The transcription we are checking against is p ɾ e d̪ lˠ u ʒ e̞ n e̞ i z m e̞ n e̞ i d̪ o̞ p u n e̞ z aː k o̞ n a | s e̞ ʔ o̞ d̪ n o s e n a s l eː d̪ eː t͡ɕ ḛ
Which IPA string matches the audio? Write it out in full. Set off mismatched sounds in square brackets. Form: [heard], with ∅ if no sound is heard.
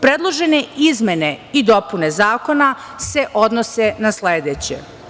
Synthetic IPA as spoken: p ɾ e d̪ lˠ [o] ʒ e̞ n e̞ i z m e̞ n e̞ i d̪ o̞ p u n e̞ z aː k o̞ n a | s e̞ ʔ o̞ d̪ n o s e n a s l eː d̪ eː t͡ɕ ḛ